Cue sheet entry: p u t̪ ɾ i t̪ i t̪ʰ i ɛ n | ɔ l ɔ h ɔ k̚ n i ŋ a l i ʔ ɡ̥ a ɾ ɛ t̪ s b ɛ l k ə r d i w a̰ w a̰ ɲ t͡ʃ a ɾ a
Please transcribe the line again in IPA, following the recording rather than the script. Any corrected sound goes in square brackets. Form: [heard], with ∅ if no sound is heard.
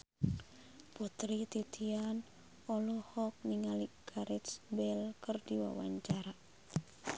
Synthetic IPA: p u t̪ ɾ i t̪ i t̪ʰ i [a] n | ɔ l ɔ h ɔ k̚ n i ŋ a l i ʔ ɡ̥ a ɾ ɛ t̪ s b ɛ l k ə r d i w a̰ w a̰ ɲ t͡ʃ a ɾ a